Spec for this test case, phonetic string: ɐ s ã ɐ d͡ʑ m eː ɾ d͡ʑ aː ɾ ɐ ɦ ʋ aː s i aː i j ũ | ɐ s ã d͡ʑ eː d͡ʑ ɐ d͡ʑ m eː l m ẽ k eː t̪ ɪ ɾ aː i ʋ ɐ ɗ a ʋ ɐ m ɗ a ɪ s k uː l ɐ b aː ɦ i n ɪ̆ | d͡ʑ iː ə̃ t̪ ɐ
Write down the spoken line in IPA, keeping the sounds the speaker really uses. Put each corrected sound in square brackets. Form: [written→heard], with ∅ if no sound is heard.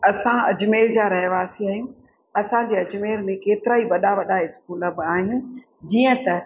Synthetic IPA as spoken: ɐ s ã ɐ d͡ʑ m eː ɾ d͡ʑ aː ɾ ɐ ɦ ʋ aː s i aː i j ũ | ɐ s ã d͡ʑ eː [d͡ʑ→∅] ɐ d͡ʑ m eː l m ẽ k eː t̪ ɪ ɾ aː i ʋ ɐ ɗ a ʋ ɐ [m→∅] ɗ a ɪ s k uː l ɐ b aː ɦ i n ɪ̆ | d͡ʑ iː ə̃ t̪ ɐ